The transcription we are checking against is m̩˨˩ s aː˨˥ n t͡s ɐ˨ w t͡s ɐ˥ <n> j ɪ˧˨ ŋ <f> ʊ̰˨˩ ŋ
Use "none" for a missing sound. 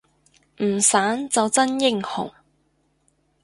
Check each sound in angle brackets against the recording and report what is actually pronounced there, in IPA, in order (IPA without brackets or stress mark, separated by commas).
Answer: n, h